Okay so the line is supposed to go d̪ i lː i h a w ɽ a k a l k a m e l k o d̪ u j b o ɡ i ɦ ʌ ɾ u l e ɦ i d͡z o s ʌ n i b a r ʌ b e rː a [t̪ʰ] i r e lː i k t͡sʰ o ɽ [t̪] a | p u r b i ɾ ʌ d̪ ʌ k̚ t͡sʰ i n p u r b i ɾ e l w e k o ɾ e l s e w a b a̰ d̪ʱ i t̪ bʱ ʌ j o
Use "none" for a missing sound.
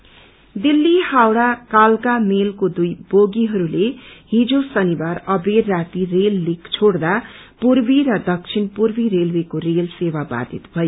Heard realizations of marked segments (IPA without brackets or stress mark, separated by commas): t̪, d̪